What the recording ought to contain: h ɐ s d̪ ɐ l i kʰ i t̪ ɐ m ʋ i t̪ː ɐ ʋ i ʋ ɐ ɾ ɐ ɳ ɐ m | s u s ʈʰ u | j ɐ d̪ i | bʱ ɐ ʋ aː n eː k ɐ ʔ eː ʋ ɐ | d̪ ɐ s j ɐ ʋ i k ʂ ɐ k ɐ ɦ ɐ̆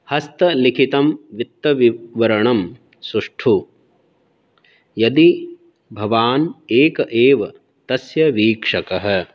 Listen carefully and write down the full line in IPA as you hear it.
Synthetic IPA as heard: h ɐ s t̪ ɐ l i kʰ i t̪ ɐ m ʋ i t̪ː ɐ ʋ i ʋ ɐ ɾ ɐ ɳ ɐ m | s u ʂ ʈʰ u | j ɐ d̪ i | bʱ ɐ ʋ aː n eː k ɐ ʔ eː ʋ ɐ | t̪ ɐ s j ɐ ʋ iː k ʂ ɐ k ɐ ɦ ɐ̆

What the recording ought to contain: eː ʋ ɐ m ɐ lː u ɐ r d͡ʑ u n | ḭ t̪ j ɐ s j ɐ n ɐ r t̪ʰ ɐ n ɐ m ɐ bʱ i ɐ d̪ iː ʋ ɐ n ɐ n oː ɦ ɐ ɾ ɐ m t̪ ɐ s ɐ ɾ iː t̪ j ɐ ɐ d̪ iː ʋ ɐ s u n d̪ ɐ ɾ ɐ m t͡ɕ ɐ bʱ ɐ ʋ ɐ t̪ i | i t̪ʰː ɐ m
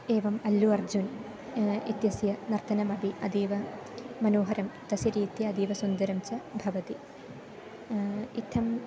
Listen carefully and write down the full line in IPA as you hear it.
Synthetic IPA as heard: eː ʋ ɐ m ɐ lː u ɐ r d͡ʑ u n | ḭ t̪ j ɐ s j ɐ n ɐ r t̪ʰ ɐ n ɐ m ɐ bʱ i ɐ d̪ iː ʋ ɐ m ɐ n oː ɦ ɐ ɾ ɐ m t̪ ɐ s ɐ ɾ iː t̪ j ɐ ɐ d̪ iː ʋ ɐ s u n d̪ ɐ ɾ ɐ m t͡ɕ ɐ bʱ ɐ ʋ ɐ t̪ i | i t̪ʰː ɐ m

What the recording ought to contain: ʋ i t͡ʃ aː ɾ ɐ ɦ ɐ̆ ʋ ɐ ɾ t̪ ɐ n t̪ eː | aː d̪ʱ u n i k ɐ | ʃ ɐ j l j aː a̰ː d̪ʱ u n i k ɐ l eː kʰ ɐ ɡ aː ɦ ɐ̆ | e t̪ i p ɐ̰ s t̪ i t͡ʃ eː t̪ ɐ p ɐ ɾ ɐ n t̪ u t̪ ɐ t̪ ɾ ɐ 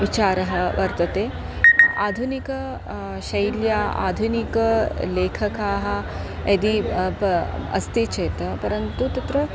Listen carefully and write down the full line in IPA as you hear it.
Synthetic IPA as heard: ʋ i t͡ʃ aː ɾ ɐ ɦ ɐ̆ ʋ ɐ ɾ t̪ ɐ t̪ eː | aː d̪ʱ u n i k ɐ | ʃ ɐ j l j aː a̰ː d̪ʱ u n i k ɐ l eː kʰ ɐ k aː ɦ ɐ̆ | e d̪ i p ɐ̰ s t̪ i t͡ʃ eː t̪ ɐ p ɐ ɾ ɐ n t̪ u t̪ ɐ t̪ ɾ ɐ

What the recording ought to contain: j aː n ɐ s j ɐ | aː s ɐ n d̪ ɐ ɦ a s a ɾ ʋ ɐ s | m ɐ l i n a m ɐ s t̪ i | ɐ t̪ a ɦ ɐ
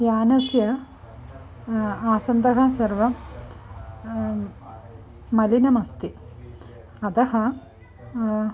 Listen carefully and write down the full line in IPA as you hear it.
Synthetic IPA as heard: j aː n ɐ s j ɐ | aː s ɐ n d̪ ɐ ɦ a s ɐ ɾ ʋ ɐ | m ɐ l i n ɐ m ɐ s t̪ i | ɐ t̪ ɐ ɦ ɐ

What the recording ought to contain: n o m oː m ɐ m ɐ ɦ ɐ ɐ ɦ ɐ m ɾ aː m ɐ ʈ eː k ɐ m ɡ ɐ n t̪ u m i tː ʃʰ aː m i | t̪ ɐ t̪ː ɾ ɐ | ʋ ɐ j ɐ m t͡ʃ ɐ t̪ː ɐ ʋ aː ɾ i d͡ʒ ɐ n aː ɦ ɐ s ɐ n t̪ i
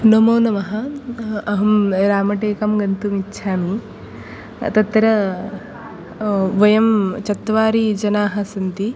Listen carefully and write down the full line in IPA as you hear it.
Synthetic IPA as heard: n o m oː n ɐ m ɐ ɦ ɐ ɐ ɦ ɐ m ɾ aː m ɐ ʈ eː k ɐ m ɡ ɐ n t̪ u m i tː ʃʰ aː m i | t̪ ɐ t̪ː ɾ ɐ | ʋ ɐ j ɐ m t͡ʃ ɐ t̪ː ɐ ʋ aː ɾ i d͡ʒ ɐ n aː ɦ ɐ s ɐ n t̪ i

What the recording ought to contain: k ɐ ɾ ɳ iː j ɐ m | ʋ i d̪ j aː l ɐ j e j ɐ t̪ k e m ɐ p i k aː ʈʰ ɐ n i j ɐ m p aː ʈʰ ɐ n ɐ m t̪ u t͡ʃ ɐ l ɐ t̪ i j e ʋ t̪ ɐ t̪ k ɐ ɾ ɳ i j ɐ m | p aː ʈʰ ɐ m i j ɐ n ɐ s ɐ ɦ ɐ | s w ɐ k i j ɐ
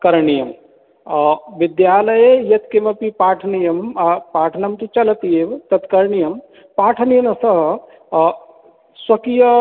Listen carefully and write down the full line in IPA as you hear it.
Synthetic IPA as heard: k ɐ ɾ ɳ i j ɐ m | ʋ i d̪ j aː l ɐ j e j ɐ t̪ k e m ɐ p i p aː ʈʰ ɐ n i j ɐ m p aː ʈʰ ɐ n ɐ m t̪ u t͡ʃ ɐ l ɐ t̪ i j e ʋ t̪ ɐ t̪ k ɐ ɾ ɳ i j ɐ m | p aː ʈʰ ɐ n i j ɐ n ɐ s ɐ ɦ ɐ | s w ɐ k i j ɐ

